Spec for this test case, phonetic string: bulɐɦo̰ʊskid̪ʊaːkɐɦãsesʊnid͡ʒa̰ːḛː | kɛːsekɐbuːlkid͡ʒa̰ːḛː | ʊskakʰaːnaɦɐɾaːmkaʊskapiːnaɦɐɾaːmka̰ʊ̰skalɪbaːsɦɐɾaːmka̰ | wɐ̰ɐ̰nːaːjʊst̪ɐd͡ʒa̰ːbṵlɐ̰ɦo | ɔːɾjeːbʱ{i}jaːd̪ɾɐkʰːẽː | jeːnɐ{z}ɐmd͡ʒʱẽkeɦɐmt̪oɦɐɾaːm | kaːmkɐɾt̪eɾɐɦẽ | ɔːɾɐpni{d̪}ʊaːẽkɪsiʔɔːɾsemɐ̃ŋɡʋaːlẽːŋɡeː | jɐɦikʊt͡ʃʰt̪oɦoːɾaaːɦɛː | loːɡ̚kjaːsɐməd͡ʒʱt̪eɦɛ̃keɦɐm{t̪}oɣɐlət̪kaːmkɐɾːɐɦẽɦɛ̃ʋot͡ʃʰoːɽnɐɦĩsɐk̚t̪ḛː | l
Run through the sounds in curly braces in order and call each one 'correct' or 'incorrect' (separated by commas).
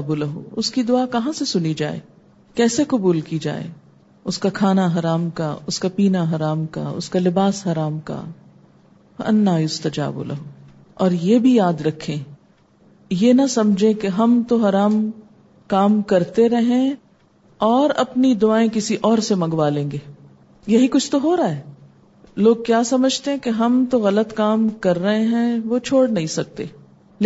correct, incorrect, correct, correct